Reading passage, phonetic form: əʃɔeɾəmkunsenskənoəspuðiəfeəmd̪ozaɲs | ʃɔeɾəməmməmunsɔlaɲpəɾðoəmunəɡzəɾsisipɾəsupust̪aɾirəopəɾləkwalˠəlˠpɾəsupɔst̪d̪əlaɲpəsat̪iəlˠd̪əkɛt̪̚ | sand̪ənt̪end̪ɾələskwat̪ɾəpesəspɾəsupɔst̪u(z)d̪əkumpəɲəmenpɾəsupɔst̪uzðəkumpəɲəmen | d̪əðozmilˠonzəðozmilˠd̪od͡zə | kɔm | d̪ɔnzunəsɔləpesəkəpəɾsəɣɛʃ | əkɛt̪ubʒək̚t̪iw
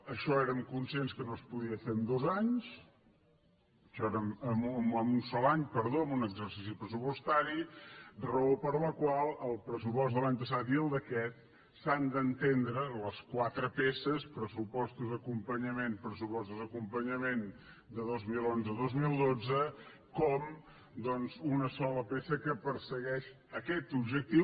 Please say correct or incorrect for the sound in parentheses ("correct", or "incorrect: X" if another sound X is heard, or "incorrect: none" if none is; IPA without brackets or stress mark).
correct